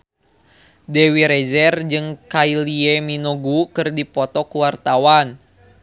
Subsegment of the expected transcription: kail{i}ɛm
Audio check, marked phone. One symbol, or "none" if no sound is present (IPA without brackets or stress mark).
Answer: i